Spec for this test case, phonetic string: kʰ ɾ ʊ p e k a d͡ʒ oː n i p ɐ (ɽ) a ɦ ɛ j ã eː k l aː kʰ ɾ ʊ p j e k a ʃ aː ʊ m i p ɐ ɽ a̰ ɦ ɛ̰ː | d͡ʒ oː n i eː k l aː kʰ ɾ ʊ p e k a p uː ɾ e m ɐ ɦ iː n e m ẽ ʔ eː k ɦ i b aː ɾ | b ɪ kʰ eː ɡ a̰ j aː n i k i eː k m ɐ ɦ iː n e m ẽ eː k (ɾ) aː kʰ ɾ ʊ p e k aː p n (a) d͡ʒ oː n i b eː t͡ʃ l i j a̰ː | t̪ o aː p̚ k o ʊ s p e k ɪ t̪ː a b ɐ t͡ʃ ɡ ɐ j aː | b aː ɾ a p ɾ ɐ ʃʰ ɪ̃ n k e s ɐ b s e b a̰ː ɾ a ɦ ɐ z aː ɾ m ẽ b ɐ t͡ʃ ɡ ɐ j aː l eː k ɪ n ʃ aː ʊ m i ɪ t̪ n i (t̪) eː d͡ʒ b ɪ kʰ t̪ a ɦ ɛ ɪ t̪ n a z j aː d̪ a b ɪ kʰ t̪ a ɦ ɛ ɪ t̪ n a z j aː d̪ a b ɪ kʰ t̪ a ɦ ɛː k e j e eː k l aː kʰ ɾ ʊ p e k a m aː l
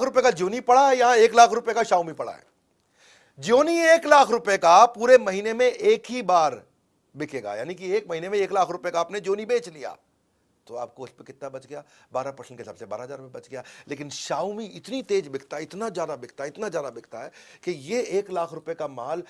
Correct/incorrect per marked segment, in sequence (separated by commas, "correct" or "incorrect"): correct, incorrect, incorrect, correct